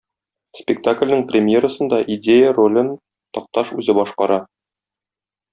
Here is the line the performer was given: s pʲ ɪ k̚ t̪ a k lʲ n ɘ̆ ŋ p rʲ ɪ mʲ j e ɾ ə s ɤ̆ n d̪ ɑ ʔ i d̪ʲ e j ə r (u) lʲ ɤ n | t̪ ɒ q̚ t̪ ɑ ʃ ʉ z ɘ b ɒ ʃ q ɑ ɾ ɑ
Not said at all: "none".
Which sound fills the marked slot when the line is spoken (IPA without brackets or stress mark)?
o